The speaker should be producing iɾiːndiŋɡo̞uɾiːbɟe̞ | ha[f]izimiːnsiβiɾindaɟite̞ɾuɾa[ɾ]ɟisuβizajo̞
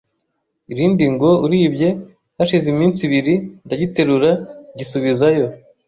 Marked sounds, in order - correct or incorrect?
incorrect: ʃ, incorrect: none

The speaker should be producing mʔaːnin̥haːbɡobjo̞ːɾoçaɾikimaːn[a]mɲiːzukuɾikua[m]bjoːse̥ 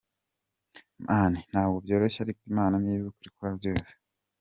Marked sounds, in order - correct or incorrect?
correct, incorrect: none

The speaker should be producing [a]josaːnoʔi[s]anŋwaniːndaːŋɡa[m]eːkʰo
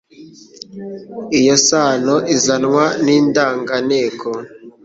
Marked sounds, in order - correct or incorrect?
incorrect: i, incorrect: z, incorrect: n

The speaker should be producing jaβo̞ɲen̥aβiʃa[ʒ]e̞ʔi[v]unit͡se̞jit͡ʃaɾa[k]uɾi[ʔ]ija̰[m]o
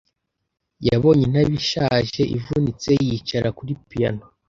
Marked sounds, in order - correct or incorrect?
correct, correct, correct, incorrect: p, incorrect: n

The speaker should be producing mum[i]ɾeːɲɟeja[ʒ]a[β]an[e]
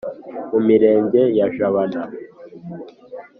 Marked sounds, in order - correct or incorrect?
correct, correct, correct, incorrect: a

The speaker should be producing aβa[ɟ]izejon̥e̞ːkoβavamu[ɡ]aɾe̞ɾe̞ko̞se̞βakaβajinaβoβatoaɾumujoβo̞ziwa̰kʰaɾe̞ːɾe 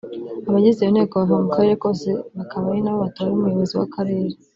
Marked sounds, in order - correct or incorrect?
correct, incorrect: k

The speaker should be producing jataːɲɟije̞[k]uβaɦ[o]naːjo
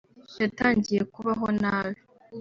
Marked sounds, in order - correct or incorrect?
correct, correct

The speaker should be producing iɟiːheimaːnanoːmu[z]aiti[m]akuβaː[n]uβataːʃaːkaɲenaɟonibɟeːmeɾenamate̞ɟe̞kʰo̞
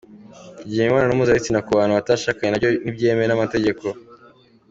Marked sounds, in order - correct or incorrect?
correct, incorrect: n, correct

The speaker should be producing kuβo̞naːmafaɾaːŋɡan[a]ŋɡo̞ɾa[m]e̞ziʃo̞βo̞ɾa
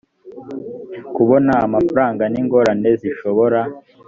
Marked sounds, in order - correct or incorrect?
incorrect: i, incorrect: n

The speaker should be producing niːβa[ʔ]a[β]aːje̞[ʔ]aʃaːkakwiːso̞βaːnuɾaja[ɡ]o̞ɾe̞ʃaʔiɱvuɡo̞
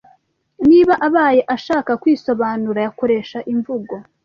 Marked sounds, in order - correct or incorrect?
correct, correct, correct, incorrect: k

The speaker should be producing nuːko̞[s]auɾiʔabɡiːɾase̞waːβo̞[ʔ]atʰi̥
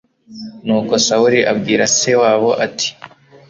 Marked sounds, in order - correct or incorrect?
correct, correct

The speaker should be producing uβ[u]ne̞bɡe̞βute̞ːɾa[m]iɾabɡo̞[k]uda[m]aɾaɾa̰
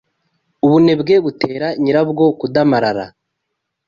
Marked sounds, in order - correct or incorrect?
correct, incorrect: ɲ, correct, correct

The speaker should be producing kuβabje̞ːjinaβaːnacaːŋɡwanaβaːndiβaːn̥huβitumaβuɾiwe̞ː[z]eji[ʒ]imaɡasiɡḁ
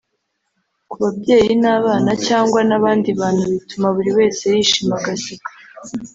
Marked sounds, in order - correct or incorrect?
incorrect: s, incorrect: ʃ

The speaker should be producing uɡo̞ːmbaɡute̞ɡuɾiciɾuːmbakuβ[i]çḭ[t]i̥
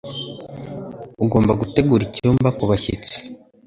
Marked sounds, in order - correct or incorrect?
incorrect: a, incorrect: t͡s

